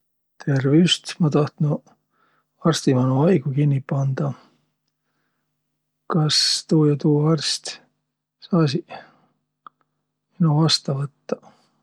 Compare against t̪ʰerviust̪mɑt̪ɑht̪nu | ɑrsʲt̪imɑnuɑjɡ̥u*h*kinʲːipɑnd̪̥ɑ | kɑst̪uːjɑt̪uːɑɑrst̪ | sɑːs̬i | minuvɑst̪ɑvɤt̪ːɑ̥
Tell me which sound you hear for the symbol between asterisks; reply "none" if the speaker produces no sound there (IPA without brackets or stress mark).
none